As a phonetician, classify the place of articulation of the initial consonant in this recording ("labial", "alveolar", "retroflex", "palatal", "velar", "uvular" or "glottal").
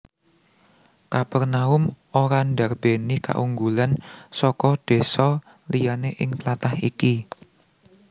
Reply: velar